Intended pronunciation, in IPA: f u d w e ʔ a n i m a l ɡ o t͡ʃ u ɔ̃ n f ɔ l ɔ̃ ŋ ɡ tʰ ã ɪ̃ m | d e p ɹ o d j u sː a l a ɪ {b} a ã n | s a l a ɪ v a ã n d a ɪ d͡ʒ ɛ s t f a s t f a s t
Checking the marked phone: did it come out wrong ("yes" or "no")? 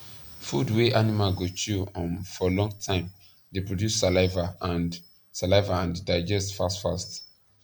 yes